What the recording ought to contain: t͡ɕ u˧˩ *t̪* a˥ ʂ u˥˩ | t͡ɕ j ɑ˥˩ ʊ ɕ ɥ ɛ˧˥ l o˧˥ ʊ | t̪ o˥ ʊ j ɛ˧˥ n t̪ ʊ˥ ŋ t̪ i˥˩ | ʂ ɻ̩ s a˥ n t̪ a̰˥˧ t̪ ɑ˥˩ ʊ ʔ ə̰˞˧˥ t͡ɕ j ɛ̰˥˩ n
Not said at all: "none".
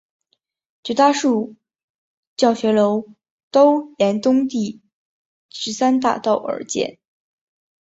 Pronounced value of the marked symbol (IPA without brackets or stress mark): t̪